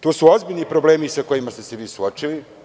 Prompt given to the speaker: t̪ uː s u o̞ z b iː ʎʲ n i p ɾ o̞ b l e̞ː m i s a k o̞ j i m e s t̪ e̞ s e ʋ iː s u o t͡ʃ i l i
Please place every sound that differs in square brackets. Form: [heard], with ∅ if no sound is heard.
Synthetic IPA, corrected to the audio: t̪ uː s u o̞ z b [i] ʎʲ n i p ɾ o̞ b l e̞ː m i s a k o̞ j i m [a] s t̪ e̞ s e ʋ iː s u o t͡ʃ i l i